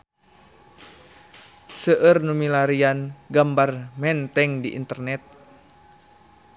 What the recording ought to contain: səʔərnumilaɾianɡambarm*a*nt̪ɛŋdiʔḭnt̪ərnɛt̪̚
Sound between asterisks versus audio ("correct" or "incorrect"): incorrect